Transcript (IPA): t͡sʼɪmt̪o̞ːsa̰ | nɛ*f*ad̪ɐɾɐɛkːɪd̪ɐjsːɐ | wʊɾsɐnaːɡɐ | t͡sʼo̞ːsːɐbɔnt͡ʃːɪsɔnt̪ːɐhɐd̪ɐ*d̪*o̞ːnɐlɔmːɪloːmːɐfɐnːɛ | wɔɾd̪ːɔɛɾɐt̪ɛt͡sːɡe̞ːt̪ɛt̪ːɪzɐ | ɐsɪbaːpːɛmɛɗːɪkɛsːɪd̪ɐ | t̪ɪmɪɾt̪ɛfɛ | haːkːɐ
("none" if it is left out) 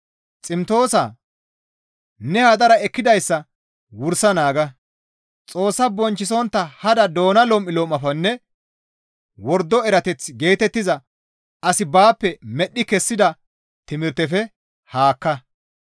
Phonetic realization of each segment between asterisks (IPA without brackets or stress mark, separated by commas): h, d̪